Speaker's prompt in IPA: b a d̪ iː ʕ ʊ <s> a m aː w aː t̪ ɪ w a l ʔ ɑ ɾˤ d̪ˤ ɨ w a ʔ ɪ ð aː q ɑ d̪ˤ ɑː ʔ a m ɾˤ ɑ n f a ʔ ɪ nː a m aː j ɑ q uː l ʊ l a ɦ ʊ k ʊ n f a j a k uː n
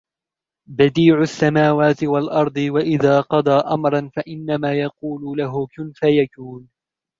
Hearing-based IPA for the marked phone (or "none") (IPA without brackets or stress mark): sː